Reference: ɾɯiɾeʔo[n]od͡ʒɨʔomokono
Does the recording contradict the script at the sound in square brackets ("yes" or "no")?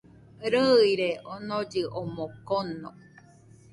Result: no